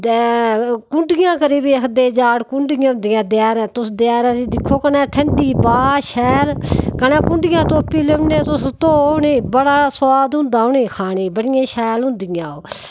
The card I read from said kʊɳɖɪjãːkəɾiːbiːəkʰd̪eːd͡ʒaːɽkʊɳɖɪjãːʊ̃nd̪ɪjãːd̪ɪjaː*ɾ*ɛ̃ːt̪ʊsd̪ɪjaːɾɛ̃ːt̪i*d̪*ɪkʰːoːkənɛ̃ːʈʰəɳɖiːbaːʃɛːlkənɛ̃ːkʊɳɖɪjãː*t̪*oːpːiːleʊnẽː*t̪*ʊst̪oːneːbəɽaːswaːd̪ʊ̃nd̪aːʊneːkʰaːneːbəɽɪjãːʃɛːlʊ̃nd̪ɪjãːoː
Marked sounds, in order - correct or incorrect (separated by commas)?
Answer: correct, correct, correct, correct